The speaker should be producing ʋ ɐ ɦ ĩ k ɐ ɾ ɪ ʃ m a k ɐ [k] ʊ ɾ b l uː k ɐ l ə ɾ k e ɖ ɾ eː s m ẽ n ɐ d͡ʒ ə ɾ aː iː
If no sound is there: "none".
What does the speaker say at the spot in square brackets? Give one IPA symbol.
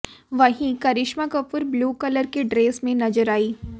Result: p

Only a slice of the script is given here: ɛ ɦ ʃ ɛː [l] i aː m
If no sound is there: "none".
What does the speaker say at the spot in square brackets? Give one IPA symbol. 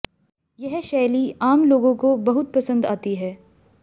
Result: l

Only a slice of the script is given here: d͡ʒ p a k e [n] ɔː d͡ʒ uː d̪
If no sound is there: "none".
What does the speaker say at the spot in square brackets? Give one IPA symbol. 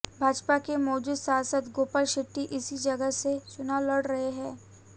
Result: m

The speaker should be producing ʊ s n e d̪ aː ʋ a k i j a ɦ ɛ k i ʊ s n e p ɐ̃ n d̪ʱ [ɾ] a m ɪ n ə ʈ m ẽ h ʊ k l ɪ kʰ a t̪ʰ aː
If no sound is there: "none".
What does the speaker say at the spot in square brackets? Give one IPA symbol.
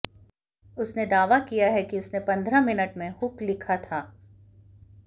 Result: ɾ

